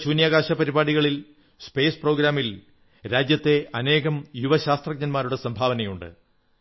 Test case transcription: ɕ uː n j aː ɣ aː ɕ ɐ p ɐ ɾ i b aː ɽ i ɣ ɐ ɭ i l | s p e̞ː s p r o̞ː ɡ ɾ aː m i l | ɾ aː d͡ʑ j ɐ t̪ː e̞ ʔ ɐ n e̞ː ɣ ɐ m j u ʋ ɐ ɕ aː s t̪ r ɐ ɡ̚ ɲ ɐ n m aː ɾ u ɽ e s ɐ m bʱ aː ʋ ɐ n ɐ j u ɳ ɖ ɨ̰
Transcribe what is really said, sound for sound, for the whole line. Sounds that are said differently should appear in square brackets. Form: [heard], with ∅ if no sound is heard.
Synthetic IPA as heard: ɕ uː n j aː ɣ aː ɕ ɐ p ɐ ɾ i b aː ɽ i ɣ ɐ ɭ i l | s p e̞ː s p r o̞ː ɡ ɾ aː m i l | ɾ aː d͡ʑ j ɐ t̪ː e̞ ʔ ɐ n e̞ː ɣ ɐ m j u ʋ ɐ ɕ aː s t̪ r ɐ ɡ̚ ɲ ɐ n m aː ɾ u ɽ e s ɐ m bʱ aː ʋ ɐ n ɐ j u ɳ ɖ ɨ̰